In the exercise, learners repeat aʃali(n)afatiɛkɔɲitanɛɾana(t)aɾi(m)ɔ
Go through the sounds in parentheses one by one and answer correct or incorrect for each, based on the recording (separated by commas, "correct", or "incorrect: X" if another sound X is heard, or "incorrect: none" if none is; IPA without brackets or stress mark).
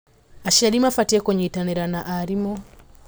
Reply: incorrect: m, incorrect: ʔ, correct